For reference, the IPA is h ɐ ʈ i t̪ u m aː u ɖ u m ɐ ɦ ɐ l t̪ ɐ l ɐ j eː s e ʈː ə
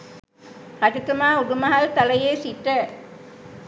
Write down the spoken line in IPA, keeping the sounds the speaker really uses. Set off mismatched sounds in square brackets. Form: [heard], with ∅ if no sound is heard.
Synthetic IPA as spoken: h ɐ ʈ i t̪ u m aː u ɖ u m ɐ ɦ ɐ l t̪ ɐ l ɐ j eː s [i] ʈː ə